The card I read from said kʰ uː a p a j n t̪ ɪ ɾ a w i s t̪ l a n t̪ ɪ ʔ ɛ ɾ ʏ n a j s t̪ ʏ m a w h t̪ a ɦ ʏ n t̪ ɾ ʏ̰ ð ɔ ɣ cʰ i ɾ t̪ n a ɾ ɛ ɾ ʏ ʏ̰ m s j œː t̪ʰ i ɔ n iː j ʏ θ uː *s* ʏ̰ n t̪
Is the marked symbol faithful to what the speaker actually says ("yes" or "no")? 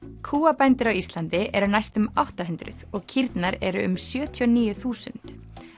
yes